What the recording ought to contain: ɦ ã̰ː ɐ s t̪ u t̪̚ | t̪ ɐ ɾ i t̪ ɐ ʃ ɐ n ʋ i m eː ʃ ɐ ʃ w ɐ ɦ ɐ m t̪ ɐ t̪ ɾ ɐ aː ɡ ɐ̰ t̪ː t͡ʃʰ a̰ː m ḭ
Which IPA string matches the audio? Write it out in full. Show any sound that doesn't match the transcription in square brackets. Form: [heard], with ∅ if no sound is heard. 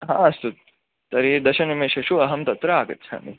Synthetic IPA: ɦ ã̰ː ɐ s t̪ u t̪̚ | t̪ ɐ ɾ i [d̪] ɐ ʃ ɐ n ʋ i m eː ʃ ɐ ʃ [u] ɐ ɦ ɐ m t̪ ɐ t̪ ɾ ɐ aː ɡ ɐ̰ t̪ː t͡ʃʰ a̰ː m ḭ